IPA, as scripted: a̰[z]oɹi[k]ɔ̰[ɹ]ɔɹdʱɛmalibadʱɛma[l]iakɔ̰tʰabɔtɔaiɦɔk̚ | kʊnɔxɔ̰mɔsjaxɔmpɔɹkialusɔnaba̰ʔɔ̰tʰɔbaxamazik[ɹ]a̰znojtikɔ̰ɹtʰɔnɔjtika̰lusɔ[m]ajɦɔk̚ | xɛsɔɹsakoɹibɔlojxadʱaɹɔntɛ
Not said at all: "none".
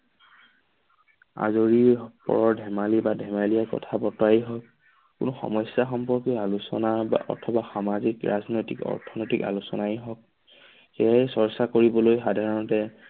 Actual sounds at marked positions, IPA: z, p, ɹ, l, ɹ, n

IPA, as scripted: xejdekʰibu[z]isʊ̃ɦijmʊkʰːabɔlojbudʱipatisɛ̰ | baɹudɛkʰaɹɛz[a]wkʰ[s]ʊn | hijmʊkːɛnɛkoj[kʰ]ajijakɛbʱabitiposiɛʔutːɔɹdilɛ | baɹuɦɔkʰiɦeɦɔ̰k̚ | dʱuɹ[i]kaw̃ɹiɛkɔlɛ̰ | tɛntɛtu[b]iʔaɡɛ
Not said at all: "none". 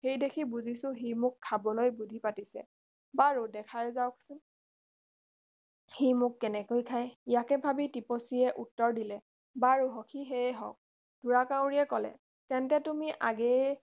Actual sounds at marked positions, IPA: z, a, s, kʰ, a, m

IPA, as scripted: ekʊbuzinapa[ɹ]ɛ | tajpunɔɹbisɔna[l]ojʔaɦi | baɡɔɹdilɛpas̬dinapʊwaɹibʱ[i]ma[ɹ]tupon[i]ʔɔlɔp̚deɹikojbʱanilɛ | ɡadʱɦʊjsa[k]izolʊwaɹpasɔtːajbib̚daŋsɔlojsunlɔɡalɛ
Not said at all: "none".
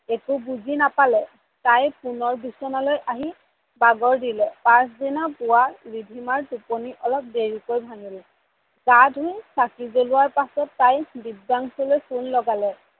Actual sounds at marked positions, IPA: l, l, i, ɹ, i, k

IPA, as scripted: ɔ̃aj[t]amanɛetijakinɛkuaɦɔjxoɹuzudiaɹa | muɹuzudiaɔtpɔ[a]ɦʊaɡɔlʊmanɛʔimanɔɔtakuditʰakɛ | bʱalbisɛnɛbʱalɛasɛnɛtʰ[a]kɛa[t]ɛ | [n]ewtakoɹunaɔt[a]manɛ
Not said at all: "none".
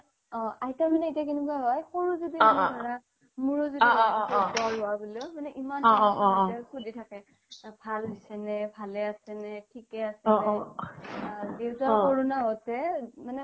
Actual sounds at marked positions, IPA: t, a, i, s, d, ɛ

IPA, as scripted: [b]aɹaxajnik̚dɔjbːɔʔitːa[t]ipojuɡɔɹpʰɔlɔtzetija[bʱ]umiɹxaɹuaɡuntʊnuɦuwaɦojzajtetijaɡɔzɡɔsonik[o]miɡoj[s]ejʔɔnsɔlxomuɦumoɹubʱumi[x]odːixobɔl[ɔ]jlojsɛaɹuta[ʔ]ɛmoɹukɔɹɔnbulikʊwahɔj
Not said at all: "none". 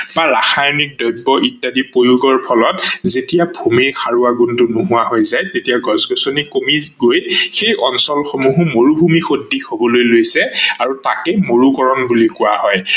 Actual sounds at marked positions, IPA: b, d, bʱ, o, x, x, o, k

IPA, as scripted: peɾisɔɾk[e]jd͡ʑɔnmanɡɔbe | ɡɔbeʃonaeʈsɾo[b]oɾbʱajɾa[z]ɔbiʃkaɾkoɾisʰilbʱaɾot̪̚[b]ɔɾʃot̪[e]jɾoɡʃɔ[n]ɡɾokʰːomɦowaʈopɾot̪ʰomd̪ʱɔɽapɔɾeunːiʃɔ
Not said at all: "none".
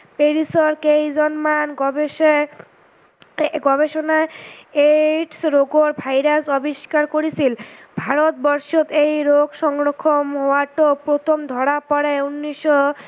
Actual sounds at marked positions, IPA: e, ɡ, s, b, e, ŋ

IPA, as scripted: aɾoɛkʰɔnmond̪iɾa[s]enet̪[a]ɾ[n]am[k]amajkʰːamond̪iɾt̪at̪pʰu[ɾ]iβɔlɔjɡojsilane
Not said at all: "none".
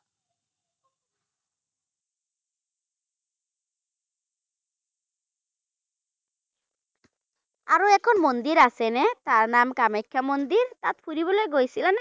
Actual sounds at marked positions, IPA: s, a, n, k, ɾ

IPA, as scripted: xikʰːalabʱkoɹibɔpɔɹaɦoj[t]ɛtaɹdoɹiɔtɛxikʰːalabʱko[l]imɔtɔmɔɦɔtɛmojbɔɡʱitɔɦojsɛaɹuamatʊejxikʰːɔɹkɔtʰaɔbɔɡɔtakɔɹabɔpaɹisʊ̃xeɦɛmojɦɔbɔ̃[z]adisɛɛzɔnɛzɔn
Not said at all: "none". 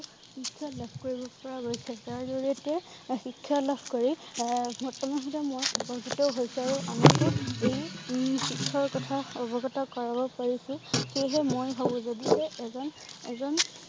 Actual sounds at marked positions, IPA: s, ɹ, z

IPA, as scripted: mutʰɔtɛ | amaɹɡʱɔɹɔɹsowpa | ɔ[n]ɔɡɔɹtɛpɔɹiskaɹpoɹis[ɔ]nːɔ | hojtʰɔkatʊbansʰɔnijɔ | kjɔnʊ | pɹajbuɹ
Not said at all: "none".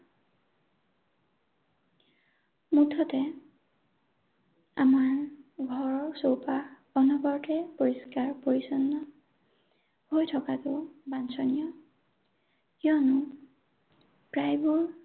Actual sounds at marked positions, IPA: n, ɔ

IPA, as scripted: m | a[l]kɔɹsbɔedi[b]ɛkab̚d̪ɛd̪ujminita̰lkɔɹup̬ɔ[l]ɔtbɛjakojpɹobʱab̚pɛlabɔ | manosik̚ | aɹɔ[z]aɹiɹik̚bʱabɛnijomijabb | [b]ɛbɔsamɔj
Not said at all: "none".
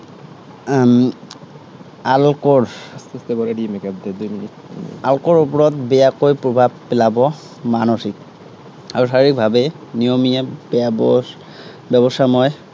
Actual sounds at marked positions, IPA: l, m, ɹ, s, b

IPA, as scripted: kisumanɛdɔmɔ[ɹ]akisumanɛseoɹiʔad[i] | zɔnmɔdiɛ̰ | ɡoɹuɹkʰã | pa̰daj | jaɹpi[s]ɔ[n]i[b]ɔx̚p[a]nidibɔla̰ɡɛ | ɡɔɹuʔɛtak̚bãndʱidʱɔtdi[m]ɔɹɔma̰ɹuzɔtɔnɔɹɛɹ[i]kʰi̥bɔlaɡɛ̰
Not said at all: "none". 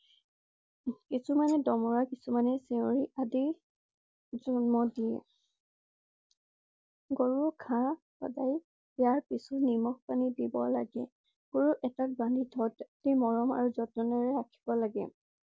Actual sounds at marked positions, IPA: ɹ, i, s, n, m, a, m, a

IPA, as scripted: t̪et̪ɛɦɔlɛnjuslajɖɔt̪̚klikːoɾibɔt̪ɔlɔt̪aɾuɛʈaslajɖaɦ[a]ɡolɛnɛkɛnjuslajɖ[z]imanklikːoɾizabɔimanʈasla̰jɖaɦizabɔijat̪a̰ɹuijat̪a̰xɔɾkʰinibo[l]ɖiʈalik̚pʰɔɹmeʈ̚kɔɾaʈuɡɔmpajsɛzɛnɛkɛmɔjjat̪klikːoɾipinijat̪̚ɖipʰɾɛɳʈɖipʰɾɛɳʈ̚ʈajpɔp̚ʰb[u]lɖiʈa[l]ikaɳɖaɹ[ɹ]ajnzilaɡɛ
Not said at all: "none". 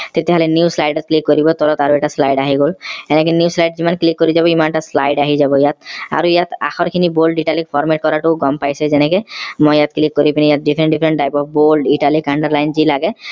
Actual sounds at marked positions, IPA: i, z, l, o, l, l

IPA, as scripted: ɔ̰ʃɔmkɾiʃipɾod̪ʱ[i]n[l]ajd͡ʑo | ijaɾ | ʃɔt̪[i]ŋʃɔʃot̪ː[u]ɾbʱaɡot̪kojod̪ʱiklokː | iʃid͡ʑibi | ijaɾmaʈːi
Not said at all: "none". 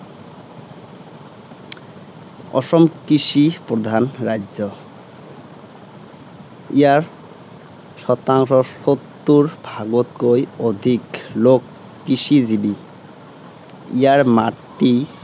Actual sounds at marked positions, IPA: a, ɾ, a, u

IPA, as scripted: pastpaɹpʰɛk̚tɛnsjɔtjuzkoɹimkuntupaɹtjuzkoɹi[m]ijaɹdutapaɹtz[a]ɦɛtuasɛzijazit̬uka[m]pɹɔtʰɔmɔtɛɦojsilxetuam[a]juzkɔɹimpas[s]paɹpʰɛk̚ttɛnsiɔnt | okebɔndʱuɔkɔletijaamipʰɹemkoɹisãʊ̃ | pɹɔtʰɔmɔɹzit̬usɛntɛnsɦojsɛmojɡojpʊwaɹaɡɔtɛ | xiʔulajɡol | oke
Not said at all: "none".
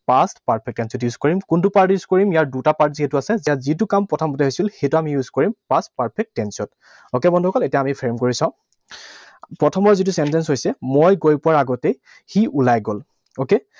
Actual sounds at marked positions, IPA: m, i, m, i, t

